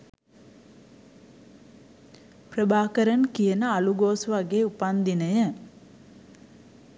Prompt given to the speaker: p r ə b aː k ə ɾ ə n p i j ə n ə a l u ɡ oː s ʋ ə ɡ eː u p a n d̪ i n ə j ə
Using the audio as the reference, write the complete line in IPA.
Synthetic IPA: p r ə b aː k ə ɾ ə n k i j ə n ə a l u ɡ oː s ʋ a ɡ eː u p a n d̪ i n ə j ə

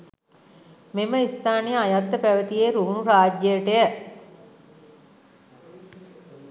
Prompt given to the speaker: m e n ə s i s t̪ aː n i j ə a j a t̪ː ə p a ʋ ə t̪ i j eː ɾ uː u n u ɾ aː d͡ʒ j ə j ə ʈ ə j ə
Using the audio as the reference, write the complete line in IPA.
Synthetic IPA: m e m ə i s t̪ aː n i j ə a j a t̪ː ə p æ ʋ ə t̪ i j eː ɾ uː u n u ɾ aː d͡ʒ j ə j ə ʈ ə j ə

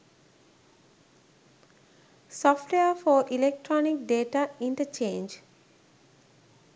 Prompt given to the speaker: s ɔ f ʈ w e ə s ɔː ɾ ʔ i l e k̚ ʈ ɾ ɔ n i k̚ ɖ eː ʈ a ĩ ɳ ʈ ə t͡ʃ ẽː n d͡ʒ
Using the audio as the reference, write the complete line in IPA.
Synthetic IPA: s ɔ f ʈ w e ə f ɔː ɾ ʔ i l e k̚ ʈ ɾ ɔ n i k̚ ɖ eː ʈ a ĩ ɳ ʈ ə t͡ʃ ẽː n d͡ʒ

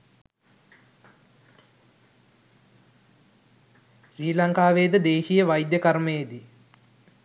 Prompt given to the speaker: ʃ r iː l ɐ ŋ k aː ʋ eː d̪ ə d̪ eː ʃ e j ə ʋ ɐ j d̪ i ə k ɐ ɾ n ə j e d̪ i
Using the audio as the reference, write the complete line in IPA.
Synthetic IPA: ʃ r iː l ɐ ŋ k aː ʋ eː d̪ ə d̪ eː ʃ i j ə ʋ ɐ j d̪ j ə k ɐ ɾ m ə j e d̪ i

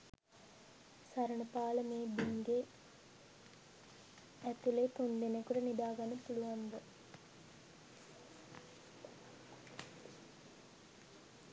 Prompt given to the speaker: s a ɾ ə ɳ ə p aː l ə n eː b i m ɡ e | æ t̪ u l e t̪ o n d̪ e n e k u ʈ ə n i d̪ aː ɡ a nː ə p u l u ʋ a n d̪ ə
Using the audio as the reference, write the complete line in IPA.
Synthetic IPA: s a ɾ ə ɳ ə p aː l ə m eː b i ŋ ɡ e | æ t̪ u l e t̪ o n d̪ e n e k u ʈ ə n i d̪ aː ɡ a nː ə p u l u ʋ a n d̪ ə

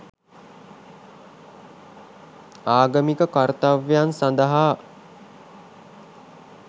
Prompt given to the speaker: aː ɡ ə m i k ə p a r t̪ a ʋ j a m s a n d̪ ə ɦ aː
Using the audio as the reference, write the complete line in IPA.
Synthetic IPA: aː ɡ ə m i k ə k a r t̪ a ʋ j a n s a n d̪ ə ɦ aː

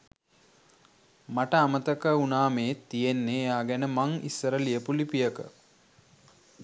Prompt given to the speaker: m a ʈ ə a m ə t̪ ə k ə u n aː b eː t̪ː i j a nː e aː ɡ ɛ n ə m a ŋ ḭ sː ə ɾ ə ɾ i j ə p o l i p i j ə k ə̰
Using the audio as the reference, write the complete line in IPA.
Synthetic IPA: m a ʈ ə a m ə t̪ ə k ə u n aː m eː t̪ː i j e nː e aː ɡ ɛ n ə m a ŋ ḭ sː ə ɾ ə l i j ə p u l i p i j ə k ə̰

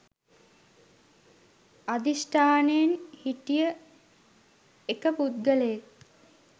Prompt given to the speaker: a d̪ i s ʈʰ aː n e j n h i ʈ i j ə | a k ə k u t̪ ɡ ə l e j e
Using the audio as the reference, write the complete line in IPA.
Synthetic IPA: a d̪ i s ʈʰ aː n e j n h i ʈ i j ə | e k ə p u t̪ ɡ ə l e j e

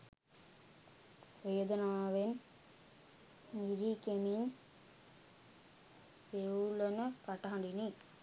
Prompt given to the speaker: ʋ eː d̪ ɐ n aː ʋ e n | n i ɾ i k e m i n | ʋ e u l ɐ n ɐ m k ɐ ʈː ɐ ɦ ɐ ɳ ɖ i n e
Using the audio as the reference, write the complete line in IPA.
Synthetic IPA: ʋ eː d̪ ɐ n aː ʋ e n | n i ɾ i k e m i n | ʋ e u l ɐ n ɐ k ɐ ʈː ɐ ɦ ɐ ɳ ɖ i n i

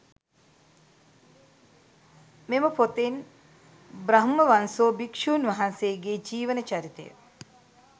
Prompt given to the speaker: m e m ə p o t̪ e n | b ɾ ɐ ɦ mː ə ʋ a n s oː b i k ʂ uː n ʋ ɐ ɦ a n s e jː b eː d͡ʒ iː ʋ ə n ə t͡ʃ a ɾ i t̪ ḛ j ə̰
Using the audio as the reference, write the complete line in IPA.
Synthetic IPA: m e m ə p o t̪ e n | b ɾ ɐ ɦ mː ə ʋ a n s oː b i k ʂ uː n ʋ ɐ ɦ a n s e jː ɡ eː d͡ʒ iː ʋ ə n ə t͡ʃ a ɾ i t̪ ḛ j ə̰

